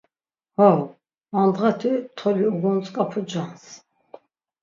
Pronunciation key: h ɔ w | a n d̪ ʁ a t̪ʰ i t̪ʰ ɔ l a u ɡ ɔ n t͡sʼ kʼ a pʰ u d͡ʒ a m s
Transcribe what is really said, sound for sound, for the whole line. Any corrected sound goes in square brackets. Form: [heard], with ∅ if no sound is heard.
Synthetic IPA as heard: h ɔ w | a n d̪ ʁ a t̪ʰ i t̪ʰ ɔ l [i] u ɡ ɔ n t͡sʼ kʼ a pʰ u d͡ʒ a [n] s